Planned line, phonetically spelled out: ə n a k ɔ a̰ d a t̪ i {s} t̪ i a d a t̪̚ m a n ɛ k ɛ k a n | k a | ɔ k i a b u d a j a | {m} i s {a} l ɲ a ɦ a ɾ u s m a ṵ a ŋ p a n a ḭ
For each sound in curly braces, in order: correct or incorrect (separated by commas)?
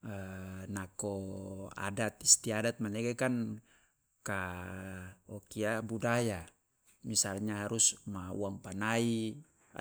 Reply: correct, correct, correct